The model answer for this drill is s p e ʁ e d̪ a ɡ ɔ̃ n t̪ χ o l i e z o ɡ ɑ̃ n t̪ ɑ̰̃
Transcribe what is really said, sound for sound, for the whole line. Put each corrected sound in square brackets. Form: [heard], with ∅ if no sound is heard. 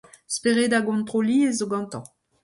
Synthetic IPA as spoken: s p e ʁ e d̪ a ɡ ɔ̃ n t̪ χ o l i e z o ɡ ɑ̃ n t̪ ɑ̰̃